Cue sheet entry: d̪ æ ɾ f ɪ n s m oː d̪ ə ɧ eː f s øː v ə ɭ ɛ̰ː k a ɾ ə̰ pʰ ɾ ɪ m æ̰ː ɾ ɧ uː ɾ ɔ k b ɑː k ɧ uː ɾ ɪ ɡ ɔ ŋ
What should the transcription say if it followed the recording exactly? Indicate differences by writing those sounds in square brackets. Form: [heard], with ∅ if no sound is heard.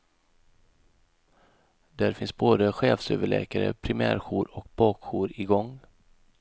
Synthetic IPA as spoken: d̪ æ ɾ f ɪ n s [b] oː d̪ ə ɧ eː f s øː v ə ɭ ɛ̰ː k a ɾ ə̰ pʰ ɾ ɪ m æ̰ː ɾ ɧ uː ɾ ɔ k b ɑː k ɧ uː ɾ ɪ ɡ ɔ ŋ